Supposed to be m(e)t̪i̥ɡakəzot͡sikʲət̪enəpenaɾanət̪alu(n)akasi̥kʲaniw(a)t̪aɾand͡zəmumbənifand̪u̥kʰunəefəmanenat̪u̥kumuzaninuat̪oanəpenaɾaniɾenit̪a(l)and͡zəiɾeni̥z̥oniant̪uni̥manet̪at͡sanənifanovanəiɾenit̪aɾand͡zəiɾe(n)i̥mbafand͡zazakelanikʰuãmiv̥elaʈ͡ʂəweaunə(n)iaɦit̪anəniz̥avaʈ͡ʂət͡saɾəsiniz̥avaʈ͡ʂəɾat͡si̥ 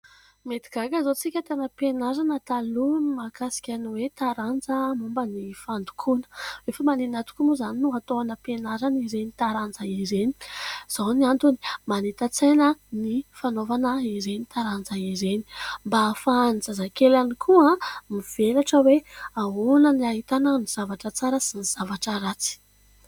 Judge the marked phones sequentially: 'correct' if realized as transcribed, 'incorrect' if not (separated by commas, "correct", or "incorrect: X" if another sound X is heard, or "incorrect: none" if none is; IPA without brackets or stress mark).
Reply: correct, incorrect: m, incorrect: e, incorrect: ɾ, correct, correct